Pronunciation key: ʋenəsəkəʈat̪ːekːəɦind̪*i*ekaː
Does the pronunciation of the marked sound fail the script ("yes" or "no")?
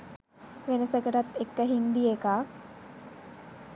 no